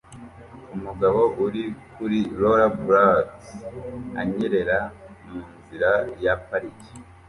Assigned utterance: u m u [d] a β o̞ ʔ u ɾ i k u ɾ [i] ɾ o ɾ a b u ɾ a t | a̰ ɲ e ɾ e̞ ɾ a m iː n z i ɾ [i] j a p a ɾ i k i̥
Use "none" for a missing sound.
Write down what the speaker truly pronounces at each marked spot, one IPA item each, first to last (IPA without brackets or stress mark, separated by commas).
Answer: ɡ, i, a